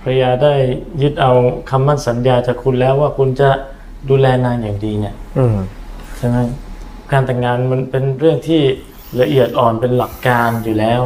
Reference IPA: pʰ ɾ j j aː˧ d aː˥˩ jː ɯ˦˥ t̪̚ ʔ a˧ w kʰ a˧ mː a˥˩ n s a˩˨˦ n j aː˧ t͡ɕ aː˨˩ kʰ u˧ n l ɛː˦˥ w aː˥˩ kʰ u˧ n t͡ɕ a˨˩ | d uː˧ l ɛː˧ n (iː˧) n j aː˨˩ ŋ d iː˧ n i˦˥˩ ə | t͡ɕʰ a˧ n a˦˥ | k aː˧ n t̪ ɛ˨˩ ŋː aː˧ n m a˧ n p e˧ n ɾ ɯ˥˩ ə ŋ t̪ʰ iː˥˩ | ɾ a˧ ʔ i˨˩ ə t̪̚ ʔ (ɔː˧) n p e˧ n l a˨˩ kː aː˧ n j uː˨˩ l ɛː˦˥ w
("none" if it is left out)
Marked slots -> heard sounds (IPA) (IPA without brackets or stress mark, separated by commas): aː˧, ɔː˨˩